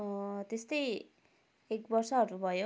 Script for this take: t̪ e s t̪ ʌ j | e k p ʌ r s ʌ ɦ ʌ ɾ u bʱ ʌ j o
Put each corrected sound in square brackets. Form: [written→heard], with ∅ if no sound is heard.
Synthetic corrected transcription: t̪ e s t̪ ʌ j | e k [p→b] ʌ r s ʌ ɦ ʌ ɾ u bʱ ʌ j o